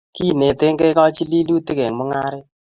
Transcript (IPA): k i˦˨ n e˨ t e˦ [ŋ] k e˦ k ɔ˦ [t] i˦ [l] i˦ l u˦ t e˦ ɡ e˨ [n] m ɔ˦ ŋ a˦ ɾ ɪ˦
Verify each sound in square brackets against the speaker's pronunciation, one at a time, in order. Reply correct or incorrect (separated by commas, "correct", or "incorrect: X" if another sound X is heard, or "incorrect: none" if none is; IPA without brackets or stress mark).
correct, incorrect: t͡ʃ, correct, incorrect: ŋ